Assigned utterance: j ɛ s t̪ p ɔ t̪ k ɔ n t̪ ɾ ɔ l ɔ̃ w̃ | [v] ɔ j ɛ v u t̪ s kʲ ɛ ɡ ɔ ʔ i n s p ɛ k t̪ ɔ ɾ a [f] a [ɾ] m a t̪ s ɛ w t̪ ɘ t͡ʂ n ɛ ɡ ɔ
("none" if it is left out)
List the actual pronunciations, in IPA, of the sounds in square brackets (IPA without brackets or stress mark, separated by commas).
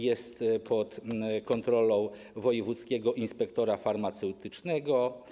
v, f, ɾ